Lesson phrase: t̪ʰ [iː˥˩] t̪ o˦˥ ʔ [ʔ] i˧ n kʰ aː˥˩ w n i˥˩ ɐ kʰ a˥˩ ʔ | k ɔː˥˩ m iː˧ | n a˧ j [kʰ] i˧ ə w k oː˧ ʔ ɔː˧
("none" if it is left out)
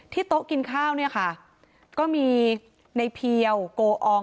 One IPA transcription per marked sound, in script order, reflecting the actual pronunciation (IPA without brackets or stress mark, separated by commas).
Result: iː˥˩, k, pʰ